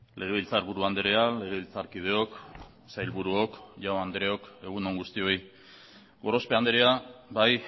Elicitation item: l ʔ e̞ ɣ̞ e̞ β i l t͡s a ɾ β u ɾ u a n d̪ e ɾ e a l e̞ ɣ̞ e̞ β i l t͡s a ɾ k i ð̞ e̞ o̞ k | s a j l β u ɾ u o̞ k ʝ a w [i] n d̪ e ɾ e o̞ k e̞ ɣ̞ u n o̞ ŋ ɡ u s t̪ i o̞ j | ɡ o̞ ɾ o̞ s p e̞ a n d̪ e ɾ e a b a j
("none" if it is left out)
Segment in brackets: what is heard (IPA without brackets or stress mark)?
a